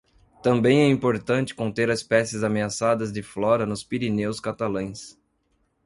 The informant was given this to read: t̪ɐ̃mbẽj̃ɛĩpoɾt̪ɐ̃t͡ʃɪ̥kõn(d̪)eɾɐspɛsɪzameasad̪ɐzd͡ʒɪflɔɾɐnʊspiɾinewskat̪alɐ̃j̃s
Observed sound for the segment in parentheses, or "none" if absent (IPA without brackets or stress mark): t̪